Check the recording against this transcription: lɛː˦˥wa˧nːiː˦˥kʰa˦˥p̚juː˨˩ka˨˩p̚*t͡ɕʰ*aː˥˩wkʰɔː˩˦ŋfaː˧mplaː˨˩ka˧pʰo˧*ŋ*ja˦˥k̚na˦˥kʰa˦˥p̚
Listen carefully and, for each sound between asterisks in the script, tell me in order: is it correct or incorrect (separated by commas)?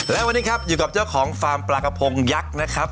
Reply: incorrect, correct